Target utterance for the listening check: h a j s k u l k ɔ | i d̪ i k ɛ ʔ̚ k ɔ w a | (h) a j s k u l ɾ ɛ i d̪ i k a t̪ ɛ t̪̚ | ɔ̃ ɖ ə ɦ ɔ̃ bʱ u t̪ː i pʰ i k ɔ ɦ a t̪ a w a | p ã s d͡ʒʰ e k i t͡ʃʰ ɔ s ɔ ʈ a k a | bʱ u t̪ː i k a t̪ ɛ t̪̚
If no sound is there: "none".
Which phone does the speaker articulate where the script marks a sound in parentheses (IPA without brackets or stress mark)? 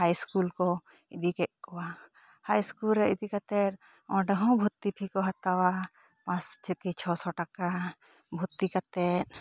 h